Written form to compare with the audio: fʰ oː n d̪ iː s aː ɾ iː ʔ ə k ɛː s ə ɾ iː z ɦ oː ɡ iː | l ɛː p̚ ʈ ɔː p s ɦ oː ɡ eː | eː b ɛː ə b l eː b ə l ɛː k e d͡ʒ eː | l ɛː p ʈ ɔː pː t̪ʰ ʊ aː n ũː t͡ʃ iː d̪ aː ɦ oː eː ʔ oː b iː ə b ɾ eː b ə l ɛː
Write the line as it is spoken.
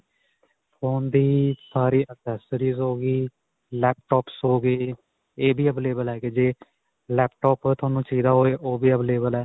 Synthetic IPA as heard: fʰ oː n d̪ iː s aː ɾ iː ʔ ə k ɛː s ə ɾ iː z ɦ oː ɡ iː | l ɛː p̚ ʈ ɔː p s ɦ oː ɡ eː | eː b iː ə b l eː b ə l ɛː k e d͡ʒ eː | l ɛː p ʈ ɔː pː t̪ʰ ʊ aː n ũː t͡ʃ iː d̪ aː ɦ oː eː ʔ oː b iː ə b l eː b ə l ɛː

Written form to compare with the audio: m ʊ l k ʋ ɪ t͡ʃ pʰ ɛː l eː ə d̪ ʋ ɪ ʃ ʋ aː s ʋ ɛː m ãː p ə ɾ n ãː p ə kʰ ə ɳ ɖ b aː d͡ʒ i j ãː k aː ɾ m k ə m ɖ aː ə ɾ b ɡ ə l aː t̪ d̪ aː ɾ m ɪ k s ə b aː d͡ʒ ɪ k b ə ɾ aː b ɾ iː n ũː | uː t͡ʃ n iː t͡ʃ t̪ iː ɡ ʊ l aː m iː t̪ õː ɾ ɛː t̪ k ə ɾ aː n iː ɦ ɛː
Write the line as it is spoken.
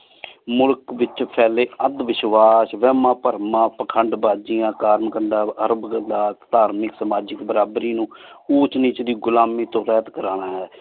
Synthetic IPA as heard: m ʊ l k ʋ ɪ t͡ʃ pʰ ɛː l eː ə d̪ ʋ ɪ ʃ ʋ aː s ʋ ɛː m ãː p ə ɾ m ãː p ə kʰ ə ɳ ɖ b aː d͡ʒ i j ãː k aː ɾ m k ə ɳ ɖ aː ə ɾ b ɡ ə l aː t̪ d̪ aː ɾ m ɪ k s ə m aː d͡ʒ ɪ k b ə ɾ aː b ɾ iː n ũː | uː t͡ʃ n iː t͡ʃ d̪ iː ɡ ʊ l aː m iː t̪ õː ɾ ɛː t̪ k ə ɾ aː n aː ɦ ɛː

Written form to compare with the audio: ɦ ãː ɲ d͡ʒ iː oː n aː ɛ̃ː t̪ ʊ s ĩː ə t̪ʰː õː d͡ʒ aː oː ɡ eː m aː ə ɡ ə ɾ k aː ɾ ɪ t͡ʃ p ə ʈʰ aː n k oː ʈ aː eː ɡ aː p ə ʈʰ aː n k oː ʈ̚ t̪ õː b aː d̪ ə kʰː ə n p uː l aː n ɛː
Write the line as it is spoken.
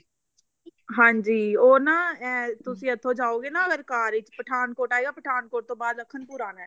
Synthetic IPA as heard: ɦ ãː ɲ d͡ʒ iː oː n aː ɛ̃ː t̪ ʊ s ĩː ə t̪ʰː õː d͡ʒ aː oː ɡ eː n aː ə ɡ ə ɾ k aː ɾ ɪ t͡ʃ p ə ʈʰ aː n k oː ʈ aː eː ɡ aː p ə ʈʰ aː n k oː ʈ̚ t̪ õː b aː d̪ ə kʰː ə n p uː ɾ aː n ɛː

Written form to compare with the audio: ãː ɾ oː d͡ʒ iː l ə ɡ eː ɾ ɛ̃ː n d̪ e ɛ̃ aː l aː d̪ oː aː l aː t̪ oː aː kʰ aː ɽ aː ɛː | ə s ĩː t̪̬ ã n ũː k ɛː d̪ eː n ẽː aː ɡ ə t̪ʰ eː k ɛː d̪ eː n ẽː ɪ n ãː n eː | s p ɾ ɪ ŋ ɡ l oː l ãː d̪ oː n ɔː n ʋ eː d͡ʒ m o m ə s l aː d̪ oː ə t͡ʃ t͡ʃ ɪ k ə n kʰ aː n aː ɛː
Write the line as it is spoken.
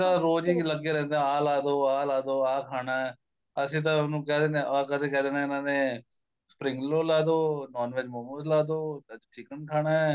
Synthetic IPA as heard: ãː ɾ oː d͡ʒ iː l ə ɡ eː ɾ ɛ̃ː n d̪ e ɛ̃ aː l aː d̪ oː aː l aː d̪ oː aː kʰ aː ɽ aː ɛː | ə s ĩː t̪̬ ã n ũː k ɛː d̪ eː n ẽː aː k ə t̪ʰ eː k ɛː d̪ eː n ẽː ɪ n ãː n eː | s p ɾ ɪ ŋ ɡ l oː l aː d̪ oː n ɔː n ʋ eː d͡ʒ m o m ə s l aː d̪ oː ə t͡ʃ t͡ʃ ɪ k ə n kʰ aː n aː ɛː

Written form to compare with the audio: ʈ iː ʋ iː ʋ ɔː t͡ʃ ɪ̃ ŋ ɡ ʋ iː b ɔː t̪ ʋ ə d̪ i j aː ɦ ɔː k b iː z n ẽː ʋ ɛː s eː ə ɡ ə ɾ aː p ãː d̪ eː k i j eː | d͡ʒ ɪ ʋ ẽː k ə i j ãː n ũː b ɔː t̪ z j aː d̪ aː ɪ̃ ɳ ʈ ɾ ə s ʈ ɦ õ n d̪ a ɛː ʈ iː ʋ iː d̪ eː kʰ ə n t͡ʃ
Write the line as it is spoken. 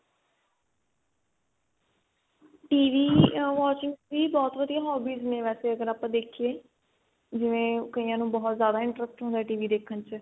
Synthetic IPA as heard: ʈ iː ʋ iː ʋ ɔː t͡ʃ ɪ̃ ŋ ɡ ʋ iː b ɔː t̪ ʋ ə d̪ i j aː ɦ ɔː b iː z n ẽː ʋ ɛː s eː ə ɡ ə ɾ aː p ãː d̪ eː kʰ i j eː | d͡ʒ ɪ ʋ ẽː k ə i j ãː n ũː b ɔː t̪ z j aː d̪ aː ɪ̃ ɳ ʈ ɾ ə s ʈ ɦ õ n d̪ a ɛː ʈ iː ʋ iː d̪ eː kʰ ə n t͡ʃ

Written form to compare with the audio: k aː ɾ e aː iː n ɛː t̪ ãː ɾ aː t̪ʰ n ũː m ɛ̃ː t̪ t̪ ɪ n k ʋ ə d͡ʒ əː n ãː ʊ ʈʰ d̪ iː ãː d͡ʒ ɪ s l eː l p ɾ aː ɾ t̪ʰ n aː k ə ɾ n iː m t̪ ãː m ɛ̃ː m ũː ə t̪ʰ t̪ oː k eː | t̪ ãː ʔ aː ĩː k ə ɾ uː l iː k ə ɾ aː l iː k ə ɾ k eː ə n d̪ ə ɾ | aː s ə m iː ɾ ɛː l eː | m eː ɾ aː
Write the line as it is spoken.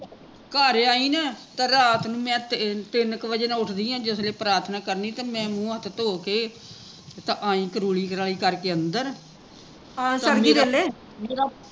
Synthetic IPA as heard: k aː ɾ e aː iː n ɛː t̪ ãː ɾ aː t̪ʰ n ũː m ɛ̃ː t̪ t̪ ɪ n k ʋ ə d͡ʒ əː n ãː ʊ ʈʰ d̪ iː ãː d͡ʒ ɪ s l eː p ɾ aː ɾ t̪ʰ n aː k ə ɾ n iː t̪ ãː m ɛ̃ː m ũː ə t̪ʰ t̪ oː k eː | t̪ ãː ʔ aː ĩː k ə ɾ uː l iː k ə ɾ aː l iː k ə ɾ k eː ə n d̪ ə ɾ | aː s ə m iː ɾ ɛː l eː | m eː ɾ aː

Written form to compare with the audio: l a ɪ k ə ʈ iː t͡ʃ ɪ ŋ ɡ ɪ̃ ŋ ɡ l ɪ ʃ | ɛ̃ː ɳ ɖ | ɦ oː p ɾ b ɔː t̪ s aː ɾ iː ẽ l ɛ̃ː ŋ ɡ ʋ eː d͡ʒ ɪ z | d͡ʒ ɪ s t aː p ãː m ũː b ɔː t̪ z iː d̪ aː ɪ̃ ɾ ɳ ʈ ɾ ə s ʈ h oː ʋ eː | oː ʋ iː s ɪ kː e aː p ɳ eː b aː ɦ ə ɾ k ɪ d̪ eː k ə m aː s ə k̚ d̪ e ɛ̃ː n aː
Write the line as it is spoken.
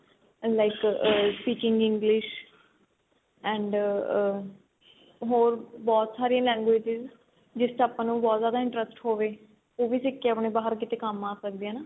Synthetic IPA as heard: l a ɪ k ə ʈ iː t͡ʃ ɪ ŋ ɡ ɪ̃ ŋ ɡ l ɪ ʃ | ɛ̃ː ɳ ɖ | ɦ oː ɾ b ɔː t̪ s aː ɾ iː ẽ l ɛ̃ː ŋ ɡ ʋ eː d͡ʒ ɪ z | d͡ʒ ɪ s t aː p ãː n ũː b ɔː t̪ z aː d̪ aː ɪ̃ ɳ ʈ ɾ ə s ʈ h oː ʋ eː | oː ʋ iː s ɪ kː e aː p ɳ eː b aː ɦ ə ɾ k ɪ t̪ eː k ə m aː s ə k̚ d̪ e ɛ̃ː n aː

